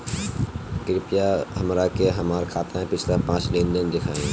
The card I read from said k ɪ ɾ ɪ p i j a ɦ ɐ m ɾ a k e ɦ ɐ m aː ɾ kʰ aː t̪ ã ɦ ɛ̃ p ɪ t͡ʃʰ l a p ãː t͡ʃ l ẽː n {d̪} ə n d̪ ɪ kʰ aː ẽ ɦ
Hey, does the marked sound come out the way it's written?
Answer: yes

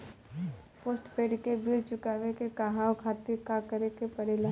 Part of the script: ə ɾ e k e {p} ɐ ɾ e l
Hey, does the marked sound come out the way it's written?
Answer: yes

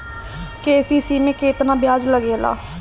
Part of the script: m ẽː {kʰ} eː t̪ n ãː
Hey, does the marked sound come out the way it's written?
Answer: no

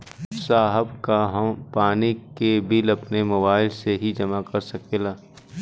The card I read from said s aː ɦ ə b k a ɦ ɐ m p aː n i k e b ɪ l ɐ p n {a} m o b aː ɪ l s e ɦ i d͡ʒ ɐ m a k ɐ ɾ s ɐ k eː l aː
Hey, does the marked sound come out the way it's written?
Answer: no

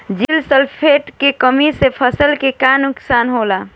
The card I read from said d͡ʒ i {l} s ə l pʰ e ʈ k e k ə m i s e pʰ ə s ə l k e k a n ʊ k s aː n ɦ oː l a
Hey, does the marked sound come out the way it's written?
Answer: yes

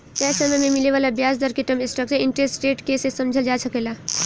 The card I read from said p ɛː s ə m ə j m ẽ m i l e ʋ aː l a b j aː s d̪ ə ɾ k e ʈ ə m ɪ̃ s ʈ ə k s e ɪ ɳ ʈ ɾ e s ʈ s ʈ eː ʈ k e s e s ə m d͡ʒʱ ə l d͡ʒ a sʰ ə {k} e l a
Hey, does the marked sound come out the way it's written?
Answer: yes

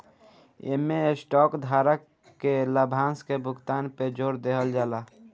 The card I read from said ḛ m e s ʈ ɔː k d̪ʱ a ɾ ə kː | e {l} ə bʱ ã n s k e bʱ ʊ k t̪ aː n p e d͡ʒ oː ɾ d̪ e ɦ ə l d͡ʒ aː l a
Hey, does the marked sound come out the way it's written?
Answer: yes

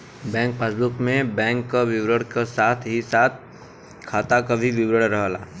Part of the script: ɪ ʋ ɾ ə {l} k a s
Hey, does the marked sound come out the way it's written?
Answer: no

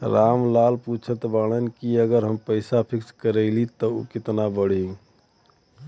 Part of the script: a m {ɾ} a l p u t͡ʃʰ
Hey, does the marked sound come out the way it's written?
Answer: no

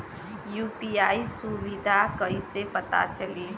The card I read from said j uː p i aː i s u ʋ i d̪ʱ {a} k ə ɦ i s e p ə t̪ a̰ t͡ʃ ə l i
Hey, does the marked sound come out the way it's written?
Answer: yes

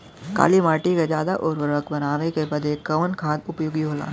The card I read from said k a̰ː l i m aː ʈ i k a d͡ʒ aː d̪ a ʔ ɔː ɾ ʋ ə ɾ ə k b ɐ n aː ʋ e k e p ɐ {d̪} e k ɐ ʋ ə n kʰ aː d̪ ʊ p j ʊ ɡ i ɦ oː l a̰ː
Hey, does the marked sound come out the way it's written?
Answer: yes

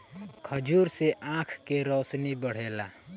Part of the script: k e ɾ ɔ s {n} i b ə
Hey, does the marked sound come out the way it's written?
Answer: yes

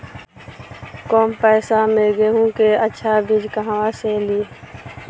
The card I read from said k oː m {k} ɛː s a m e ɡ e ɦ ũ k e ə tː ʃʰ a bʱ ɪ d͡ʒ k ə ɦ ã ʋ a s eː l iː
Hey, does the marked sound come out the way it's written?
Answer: no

